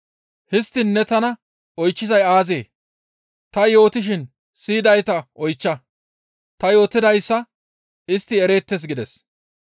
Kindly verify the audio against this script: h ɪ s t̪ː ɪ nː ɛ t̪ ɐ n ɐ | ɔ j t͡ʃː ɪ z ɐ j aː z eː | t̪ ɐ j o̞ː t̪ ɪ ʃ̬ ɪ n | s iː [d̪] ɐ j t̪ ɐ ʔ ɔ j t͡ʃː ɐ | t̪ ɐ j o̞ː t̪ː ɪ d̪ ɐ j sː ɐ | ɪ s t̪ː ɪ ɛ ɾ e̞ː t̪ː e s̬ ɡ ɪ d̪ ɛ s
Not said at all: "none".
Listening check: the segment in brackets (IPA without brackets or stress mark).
d̪